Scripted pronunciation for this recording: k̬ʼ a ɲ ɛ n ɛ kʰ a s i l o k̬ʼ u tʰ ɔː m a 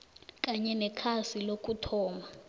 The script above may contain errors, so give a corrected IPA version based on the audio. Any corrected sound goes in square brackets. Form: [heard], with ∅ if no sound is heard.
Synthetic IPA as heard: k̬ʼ a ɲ ɛ n ɛ kʰ a s i l o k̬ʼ u tʰ ɔː m a